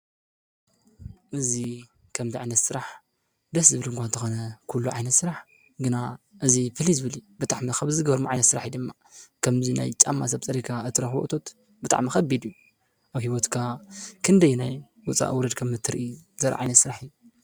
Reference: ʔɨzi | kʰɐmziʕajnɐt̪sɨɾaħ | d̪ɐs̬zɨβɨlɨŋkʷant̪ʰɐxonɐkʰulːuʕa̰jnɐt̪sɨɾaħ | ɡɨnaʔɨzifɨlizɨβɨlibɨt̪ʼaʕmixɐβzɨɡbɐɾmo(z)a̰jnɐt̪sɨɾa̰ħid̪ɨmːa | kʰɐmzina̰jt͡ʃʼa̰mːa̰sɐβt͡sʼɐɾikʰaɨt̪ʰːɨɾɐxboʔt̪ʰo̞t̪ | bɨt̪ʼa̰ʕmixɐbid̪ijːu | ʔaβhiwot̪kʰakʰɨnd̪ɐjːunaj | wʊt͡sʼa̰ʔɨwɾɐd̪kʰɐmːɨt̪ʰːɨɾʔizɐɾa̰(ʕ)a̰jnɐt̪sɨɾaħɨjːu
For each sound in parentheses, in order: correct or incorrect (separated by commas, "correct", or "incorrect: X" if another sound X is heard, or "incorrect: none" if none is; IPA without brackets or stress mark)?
incorrect: ʕ, correct